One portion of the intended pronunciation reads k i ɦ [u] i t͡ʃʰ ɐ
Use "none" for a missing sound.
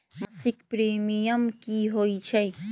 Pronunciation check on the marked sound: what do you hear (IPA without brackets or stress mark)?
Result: o